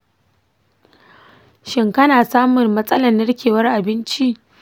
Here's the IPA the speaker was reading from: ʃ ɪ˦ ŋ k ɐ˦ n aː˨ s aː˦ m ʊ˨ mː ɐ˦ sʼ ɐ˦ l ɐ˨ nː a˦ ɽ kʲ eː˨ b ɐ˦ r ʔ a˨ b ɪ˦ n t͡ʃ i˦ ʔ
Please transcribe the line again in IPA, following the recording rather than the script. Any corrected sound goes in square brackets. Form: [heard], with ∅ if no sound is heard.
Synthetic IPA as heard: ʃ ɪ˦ ŋ k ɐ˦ n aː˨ s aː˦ m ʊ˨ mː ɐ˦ sʼ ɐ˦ l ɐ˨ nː [ɐ˦] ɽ kʲ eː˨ [w] ɐ˦ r ʔ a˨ b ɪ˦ n t͡ʃ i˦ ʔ